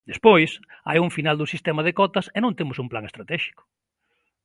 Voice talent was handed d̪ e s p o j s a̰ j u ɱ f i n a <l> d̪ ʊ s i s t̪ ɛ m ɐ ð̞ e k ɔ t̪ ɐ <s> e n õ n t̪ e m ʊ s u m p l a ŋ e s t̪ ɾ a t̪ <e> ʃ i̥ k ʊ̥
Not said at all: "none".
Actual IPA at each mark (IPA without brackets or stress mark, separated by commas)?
l, s, ɛ